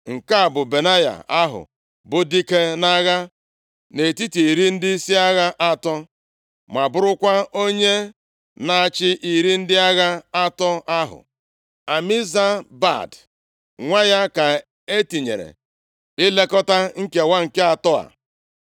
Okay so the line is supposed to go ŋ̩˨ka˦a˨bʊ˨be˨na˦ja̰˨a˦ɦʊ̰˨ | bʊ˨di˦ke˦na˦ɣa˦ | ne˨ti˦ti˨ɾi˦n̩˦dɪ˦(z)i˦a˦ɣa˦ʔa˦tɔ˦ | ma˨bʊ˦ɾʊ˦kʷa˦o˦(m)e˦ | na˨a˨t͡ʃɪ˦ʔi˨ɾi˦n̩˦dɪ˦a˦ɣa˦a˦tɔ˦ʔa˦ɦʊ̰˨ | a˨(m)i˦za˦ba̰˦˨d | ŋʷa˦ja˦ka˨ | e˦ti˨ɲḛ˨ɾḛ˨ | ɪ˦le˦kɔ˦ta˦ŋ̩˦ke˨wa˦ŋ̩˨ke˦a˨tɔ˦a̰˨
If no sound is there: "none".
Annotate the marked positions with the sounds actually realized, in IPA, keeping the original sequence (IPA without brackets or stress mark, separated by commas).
s, ɲ, m